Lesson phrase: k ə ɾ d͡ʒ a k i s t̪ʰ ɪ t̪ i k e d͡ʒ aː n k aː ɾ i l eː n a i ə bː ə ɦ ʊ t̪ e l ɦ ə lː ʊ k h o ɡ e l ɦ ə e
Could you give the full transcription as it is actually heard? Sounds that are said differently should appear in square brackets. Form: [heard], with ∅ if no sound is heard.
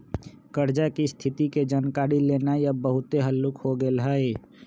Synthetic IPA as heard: k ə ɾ d͡ʒ a k i s t̪ʰ ɪ t̪ i k e d͡ʒ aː n k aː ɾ i l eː n a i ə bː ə ɦ ʊ t̪ e [∅] ɦ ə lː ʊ k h o ɡ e l ɦ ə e